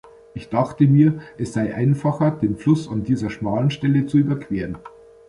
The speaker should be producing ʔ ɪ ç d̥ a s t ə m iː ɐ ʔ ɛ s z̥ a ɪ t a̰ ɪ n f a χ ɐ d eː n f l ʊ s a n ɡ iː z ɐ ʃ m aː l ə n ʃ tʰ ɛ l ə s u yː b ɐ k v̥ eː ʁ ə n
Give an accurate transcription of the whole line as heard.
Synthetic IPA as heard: ʔ ɪ ç d̥ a χ t ə m iː ɐ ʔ ɛ s z̥ a ɪ ʔ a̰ ɪ n f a χ ɐ d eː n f l ʊ s a n d iː z ɐ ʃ m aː l ə n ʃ t ɛ l ə t͡s u yː b ɐ k v̥ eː ʁ ə n